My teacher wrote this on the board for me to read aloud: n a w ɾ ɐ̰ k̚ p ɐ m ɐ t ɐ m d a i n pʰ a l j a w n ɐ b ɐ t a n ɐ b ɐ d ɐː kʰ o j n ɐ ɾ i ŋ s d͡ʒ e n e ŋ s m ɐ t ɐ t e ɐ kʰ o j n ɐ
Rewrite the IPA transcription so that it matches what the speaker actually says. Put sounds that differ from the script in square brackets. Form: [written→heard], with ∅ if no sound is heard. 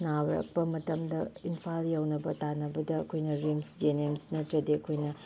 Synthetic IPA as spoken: n a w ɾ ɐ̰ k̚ p ɐ m ɐ t ɐ m d [a→ɐ] i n pʰ a l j a w n ɐ b ɐ t a n ɐ b ɐ d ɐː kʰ o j n ɐ ɾ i [ŋ→m] s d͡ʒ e n e [ŋ→m] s [m→n] ɐ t ɐ [t→d] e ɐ kʰ o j n ɐ

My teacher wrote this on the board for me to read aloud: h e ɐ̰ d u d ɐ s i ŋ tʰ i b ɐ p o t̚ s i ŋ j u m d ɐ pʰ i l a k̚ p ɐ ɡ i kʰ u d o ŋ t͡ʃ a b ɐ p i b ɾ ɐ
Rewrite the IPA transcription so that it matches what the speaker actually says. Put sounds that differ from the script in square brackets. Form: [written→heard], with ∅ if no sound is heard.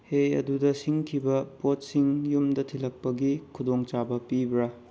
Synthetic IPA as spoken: h e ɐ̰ d u d ɐ s i ŋ [tʰ→kʰ] i b ɐ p o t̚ s i ŋ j u m d ɐ [pʰ→tʰ] i l [a→ɐ] k̚ p ɐ ɡ i kʰ u d o ŋ t͡ʃ a b ɐ p i b ɾ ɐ

